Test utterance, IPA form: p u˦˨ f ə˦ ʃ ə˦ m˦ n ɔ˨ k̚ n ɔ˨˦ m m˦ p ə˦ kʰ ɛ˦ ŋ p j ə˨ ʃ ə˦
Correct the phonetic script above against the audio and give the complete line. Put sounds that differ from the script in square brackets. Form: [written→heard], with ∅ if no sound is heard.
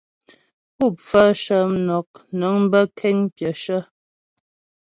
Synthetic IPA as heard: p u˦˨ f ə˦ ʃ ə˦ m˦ n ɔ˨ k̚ n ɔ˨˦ [m→ŋ] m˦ [p→b] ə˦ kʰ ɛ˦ ŋ p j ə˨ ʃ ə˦